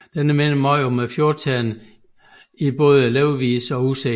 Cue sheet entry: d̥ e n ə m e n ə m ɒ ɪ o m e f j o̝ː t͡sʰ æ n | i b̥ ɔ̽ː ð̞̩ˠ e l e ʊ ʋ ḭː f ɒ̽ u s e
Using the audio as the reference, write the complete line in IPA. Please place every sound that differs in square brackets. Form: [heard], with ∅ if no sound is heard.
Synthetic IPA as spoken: d̥ e n ə m e n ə m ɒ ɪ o m e f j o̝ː t͡sʰ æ n | i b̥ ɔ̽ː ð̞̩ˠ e l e ʊ ʋ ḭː [s] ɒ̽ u s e